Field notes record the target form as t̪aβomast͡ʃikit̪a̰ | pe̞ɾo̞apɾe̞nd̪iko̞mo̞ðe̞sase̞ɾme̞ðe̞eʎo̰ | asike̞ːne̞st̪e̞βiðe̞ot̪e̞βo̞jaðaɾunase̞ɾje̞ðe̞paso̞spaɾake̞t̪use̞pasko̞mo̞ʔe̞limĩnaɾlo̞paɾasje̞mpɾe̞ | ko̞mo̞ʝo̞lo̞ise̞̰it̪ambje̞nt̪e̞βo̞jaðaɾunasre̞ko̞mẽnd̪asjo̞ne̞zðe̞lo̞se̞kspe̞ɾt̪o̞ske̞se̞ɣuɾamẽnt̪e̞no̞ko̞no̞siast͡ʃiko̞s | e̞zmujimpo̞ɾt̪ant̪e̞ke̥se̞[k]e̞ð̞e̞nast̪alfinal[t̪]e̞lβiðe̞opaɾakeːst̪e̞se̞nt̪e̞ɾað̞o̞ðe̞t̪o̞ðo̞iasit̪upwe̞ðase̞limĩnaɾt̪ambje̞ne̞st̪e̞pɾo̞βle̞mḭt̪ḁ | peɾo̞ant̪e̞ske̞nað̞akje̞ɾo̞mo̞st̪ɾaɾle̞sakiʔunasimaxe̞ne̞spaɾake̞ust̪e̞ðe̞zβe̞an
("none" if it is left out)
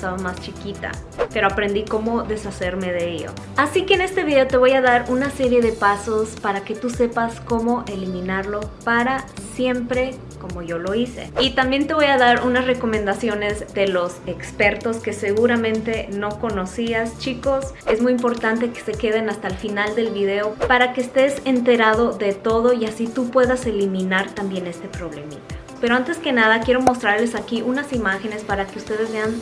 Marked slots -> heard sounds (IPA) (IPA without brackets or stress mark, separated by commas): k, d̪